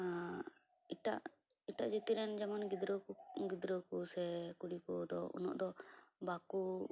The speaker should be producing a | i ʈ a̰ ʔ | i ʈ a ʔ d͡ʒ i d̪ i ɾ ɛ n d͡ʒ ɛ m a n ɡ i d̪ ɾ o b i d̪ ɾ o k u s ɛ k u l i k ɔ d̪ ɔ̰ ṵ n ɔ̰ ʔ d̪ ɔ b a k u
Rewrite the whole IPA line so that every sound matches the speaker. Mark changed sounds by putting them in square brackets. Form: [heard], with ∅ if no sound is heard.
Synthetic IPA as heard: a | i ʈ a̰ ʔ | i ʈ a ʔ d͡ʒ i [t̪] i ɾ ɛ n d͡ʒ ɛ m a n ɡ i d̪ ɾ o [ɡ] i d̪ ɾ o k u s ɛ k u [ɽ] i k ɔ d̪ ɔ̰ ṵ n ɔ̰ ʔ d̪ ɔ b a k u